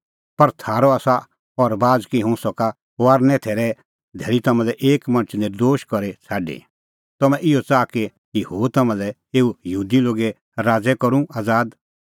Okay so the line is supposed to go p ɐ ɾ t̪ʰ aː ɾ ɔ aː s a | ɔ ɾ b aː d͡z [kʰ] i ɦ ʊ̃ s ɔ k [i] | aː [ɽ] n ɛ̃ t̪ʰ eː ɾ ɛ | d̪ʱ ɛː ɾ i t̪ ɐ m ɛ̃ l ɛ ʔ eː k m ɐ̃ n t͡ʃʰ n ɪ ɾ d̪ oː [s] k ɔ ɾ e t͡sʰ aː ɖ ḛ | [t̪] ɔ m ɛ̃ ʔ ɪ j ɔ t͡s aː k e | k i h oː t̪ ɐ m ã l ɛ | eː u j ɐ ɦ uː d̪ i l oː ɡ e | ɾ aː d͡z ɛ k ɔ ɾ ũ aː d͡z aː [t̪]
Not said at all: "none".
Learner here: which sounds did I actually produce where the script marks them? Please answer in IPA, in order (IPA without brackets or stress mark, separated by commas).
k, a, ɾ, ʃ, t̪, d̪